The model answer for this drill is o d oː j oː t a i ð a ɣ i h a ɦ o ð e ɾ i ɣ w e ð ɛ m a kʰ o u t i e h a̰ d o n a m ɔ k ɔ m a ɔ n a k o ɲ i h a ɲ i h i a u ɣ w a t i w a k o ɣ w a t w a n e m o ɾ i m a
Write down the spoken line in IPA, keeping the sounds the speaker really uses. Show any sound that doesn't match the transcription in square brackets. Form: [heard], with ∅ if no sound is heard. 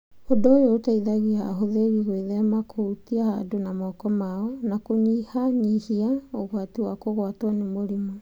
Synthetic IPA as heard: o d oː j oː t a i ð a ɣ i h a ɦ o ð e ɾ i ɣ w e ð ɛ m a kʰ o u t i [a] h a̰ d o n a m ɔ k ɔ m a ɔ n a k o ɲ i h a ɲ i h i a [o] ɣ w a t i w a k o ɣ w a t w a n e m o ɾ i m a